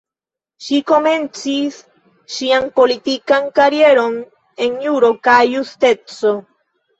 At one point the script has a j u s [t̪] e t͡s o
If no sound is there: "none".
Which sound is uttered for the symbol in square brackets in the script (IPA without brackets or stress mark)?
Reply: t̪